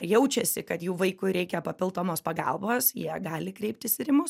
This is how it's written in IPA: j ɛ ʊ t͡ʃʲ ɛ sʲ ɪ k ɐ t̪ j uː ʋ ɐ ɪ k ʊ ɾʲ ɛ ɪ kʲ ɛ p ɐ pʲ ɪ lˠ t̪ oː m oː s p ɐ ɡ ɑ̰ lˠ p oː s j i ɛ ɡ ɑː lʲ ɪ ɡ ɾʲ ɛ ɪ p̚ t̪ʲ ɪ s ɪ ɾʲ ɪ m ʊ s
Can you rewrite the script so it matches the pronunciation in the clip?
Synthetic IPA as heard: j ɛ ʊ t͡ʃʲ ɛ sʲ ɪ k ɐ t̪ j uː ʋ ɐ ɪ k ʊ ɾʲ ɛ ɪ kʲ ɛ p ɐ pʲ ɪ lˠ t̪ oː m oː s p ɐ ɡ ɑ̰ lˠ b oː s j i ɛ ɡ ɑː lʲ ɪ k ɾʲ ɛ ɪ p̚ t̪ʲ ɪ s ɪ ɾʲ ɪ m ʊ s